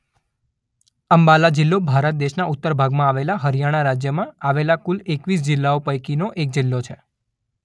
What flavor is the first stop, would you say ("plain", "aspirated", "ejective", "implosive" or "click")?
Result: plain